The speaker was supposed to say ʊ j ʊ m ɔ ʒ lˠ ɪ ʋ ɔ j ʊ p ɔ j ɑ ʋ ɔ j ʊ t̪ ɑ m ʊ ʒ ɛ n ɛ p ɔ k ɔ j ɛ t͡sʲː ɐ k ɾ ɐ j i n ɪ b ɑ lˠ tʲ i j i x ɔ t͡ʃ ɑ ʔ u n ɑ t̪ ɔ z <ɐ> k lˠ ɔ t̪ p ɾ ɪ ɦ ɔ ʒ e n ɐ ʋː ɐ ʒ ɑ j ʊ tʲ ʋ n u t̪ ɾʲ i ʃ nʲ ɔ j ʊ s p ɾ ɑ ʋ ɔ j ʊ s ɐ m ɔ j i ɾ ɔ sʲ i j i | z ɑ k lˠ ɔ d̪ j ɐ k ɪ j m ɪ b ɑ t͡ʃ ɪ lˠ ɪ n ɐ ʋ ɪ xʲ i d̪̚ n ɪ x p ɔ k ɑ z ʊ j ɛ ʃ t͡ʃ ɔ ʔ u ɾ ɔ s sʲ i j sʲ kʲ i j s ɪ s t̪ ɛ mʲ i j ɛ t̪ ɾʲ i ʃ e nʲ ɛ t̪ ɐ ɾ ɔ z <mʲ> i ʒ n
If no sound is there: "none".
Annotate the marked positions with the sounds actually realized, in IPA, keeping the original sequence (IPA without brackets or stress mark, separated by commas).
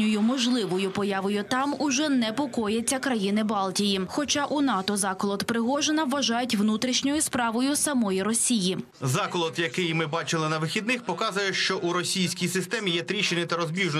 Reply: ɑ, bʲ